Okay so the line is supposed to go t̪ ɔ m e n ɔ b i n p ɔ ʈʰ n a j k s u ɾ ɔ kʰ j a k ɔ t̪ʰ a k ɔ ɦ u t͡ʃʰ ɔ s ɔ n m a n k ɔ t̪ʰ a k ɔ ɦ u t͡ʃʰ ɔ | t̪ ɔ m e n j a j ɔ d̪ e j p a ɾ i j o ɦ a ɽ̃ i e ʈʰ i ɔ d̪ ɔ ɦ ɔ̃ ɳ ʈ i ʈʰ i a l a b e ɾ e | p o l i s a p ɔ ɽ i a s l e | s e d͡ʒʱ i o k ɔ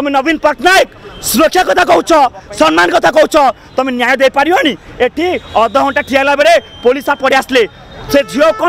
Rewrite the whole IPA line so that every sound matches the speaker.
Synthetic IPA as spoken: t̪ ɔ m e n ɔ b i n p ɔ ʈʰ n a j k s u ɾ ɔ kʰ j a k ɔ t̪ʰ a k ɔ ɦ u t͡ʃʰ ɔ s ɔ n m a n k ɔ t̪ʰ a k ɔ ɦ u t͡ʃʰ ɔ | t̪ ɔ m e n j a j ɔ d̪ e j p a ɾ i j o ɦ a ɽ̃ i e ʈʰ i ɔ d̪ ɔ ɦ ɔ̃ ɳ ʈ a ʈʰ i a l a b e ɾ e | p o l i s a p ɔ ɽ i a s l e | s e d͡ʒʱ i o k ɔ